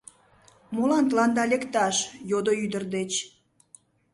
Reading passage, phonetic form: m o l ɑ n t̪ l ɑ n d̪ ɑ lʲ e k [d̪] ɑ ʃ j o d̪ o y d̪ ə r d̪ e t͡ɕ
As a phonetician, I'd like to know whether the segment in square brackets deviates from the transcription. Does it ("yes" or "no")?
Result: yes